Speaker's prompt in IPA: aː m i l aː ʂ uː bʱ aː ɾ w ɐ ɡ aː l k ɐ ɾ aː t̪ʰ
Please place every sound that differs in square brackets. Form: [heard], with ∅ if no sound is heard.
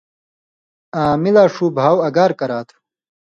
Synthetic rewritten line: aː m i l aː ʂ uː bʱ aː [∅] w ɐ ɡ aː [ɾ] k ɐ ɾ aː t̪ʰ